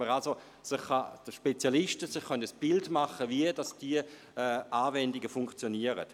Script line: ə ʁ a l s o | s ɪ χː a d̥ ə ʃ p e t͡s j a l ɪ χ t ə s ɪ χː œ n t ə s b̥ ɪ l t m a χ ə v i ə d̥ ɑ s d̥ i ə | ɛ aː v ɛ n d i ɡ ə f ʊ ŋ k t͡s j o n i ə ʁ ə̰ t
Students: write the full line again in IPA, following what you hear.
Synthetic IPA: ə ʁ a l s o | s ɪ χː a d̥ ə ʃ p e t͡s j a l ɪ ʃ t ə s ɪ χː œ n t ə s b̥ ɪ l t m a χ ə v i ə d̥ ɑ s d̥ i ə | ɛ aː v ɛ n d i ɡ ə f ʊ ŋ k t͡s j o n i ə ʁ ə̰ t